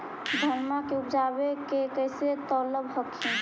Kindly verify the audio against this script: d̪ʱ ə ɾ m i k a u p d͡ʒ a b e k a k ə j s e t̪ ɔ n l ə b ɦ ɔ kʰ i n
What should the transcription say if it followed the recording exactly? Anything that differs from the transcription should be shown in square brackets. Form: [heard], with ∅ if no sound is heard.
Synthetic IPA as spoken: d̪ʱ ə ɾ m [a] k [e] u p d͡ʒ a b e k [e] k ə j s e t̪ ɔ [∅] l ə b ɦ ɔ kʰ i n